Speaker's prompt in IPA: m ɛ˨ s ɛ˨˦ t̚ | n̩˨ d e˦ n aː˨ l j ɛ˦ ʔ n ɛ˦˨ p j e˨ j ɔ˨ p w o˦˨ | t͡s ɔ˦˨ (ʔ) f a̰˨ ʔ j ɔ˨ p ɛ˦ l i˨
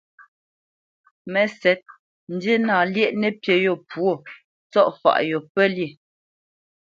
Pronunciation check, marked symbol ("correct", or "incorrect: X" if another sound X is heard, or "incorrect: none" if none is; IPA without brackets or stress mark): correct